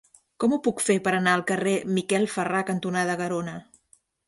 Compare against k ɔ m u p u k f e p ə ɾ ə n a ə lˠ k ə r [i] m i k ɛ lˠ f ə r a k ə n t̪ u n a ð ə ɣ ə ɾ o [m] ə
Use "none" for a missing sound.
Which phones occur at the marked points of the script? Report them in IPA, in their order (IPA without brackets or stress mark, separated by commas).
e, n